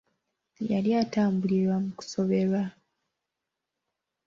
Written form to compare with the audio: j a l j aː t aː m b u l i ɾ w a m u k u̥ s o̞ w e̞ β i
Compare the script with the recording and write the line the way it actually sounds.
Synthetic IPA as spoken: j a l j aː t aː m b u l i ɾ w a m u k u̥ s o̞ β e̞ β a